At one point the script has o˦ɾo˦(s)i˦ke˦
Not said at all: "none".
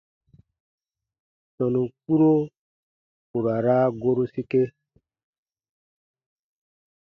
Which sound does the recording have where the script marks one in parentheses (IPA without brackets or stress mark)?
s